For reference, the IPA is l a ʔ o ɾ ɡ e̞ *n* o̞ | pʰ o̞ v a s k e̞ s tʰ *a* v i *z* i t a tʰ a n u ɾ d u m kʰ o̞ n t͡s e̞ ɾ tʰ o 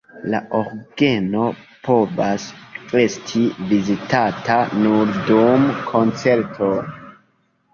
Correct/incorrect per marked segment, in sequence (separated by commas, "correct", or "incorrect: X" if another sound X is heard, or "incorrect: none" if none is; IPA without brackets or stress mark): correct, incorrect: i, correct